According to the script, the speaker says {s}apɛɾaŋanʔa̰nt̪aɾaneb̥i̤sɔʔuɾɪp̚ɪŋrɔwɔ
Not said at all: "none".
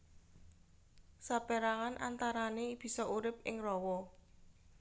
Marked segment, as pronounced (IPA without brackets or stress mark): s